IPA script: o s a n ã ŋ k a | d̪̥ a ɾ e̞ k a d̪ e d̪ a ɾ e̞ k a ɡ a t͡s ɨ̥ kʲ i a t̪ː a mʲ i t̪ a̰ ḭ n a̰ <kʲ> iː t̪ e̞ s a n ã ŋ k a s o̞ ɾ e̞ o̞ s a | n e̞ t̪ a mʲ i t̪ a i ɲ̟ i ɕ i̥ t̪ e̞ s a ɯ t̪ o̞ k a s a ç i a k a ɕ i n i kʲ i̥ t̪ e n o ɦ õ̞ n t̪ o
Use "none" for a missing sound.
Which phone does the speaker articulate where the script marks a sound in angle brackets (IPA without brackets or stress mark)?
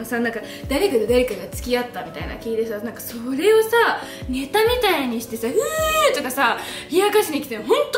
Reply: kʲ